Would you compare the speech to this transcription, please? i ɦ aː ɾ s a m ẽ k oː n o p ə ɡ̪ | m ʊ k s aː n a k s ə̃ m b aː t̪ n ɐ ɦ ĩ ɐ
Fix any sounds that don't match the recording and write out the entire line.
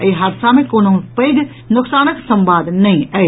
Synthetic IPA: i ɦ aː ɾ s a m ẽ k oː n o p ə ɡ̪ | n ʊ k s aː n ə k s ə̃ m b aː d̪ n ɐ ɦ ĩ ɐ

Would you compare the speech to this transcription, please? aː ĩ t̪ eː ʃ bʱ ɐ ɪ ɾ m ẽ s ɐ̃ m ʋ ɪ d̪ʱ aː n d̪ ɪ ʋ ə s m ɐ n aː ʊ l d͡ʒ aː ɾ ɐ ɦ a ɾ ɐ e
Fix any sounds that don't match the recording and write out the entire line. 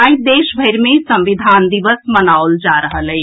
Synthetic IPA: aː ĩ d̪ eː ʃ bʱ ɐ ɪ ɾ m ẽ s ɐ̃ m ʋ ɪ d̪ʱ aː n d̪ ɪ ʋ ə s m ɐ n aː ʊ l d͡ʒ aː ɾ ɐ ɦ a l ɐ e

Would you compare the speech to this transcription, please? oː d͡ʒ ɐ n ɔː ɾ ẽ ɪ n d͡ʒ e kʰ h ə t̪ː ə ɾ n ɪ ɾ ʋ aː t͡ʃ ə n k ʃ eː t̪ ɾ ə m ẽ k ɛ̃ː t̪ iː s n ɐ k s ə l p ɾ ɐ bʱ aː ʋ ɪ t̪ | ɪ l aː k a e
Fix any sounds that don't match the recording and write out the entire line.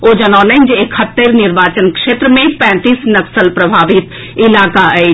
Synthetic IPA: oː d͡ʒ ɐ n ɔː l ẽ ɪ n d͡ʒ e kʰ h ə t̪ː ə ɾ n ɪ ɾ ʋ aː t͡ʃ ə n k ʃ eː t̪ ɾ ə m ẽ p ɛ̃ː t̪ iː s n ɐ k s ə l p ɾ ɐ bʱ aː ʋ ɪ t̪ | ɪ l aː k a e

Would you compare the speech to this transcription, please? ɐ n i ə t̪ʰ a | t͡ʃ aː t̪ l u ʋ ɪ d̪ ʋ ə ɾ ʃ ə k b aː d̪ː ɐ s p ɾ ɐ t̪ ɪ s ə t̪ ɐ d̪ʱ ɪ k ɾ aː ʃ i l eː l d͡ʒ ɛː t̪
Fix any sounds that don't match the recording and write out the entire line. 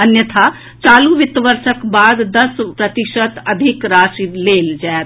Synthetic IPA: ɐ n j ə t̪ʰ a | t͡ʃ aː l u ʋ ɪ t̪ ʋ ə ɾ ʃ ə k b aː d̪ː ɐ s p ɾ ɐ t̪ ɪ ʃ ə t̪ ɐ d̪ʱ ɪ k ɾ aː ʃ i l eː l d͡ʒ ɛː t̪

